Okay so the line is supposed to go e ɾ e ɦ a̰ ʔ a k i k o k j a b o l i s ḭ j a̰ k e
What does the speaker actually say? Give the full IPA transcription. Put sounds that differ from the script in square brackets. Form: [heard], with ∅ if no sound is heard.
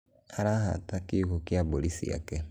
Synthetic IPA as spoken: [a] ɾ [a] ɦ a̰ [t] a k i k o k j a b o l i s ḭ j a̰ k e